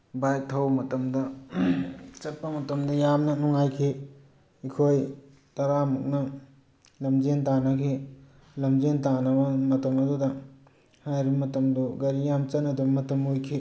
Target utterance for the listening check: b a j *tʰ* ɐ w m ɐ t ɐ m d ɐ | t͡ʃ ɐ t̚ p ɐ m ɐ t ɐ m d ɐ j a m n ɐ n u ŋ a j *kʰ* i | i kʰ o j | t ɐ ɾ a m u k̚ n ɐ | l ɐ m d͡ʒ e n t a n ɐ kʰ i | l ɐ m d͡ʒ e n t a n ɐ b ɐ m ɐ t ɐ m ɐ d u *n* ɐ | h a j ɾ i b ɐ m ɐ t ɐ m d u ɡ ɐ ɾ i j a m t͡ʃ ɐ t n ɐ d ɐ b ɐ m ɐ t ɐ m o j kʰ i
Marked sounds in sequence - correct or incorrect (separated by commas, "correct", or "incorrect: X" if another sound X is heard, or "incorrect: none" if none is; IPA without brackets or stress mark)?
correct, correct, incorrect: d